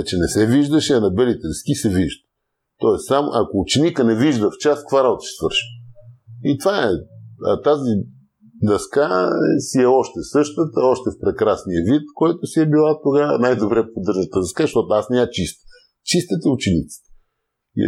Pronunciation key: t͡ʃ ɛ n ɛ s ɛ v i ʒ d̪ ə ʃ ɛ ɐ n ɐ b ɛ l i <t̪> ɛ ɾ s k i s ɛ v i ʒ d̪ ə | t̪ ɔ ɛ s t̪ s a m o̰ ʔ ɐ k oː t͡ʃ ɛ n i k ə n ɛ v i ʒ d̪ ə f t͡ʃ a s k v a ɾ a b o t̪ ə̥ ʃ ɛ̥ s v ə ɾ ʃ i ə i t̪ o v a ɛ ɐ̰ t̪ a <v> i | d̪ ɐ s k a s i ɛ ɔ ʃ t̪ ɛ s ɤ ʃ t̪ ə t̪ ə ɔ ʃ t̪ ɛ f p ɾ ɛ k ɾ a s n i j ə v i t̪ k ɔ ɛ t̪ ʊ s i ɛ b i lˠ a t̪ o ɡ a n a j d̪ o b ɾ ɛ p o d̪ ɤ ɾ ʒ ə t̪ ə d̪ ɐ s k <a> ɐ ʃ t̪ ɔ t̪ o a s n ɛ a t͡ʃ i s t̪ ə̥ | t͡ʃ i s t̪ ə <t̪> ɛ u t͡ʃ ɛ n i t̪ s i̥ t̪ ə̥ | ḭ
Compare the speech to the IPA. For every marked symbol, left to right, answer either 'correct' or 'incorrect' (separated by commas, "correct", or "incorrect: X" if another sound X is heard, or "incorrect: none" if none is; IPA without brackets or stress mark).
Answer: correct, incorrect: z, correct, correct